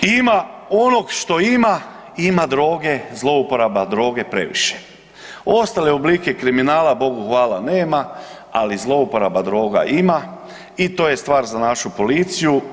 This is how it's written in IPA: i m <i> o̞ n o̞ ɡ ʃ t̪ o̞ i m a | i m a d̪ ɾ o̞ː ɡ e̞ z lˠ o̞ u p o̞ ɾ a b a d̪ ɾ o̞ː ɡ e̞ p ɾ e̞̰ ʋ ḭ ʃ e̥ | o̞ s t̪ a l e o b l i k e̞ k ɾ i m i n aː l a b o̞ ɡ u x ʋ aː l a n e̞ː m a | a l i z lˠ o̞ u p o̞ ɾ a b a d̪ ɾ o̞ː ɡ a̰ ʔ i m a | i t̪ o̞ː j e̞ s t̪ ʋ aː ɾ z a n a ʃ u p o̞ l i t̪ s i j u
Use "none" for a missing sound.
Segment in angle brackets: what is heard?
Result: a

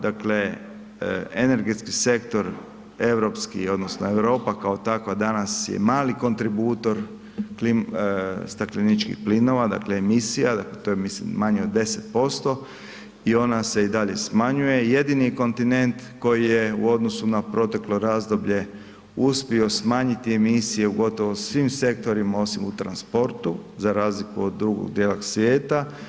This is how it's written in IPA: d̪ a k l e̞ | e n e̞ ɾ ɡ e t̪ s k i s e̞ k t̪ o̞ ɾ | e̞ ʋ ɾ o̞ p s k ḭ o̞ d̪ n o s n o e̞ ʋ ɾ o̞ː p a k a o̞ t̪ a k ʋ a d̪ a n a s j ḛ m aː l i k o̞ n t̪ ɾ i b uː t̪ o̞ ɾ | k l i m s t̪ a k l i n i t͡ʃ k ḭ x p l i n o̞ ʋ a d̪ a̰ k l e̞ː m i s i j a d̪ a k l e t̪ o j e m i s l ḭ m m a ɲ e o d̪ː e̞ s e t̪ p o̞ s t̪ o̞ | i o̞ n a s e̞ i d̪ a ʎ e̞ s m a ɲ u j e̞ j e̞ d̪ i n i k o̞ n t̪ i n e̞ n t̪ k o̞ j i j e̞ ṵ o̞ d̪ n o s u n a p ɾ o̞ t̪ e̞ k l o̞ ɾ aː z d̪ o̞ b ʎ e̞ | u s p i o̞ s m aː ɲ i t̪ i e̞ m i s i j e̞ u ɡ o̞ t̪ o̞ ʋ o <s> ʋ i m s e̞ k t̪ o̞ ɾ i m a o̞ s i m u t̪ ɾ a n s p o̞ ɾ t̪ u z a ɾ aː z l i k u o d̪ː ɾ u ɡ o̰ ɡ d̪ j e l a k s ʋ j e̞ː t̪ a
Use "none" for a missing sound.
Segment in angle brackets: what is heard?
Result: s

